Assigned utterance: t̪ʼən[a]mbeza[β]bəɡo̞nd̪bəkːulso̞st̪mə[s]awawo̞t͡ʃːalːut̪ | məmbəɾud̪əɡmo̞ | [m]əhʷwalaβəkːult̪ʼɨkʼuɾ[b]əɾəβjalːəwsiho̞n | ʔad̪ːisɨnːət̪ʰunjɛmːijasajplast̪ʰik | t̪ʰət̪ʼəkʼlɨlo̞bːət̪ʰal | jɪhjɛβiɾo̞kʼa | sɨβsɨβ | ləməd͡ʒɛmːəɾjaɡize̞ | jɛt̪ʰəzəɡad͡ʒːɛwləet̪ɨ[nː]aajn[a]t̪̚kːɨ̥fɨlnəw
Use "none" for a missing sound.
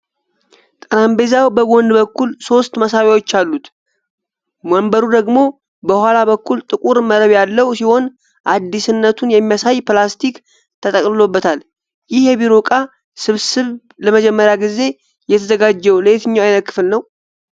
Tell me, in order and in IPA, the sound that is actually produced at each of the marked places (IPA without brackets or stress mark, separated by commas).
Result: a, w, s, b, m, ɲː, ə